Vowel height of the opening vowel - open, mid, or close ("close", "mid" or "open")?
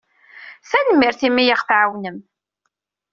open